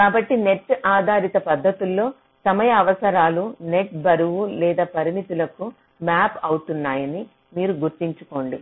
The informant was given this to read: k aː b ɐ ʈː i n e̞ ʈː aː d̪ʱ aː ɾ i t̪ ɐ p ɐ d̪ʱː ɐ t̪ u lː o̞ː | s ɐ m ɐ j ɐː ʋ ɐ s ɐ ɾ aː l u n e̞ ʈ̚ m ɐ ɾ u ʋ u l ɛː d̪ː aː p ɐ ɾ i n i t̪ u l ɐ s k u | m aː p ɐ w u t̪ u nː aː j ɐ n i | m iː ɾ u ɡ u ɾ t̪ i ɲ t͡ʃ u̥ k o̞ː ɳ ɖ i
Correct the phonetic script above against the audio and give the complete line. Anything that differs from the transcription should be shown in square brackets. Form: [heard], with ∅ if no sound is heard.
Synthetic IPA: k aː b ɐ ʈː i n e̞ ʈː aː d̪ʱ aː ɾ i t̪ ɐ p ɐ d̪ʱː ɐ t̪ u lː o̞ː | s ɐ m ɐ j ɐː ʋ ɐ s ɐ ɾ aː l u n e̞ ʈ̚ [b] ɐ ɾ u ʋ u l ɛː [d̪] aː p ɐ ɾ i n i t̪ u l ɐ [∅] k u | m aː p ɐ w u t̪ u nː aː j ɐ n i | m iː ɾ u ɡ u ɾ t̪ i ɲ t͡ʃ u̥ k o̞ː ɳ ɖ i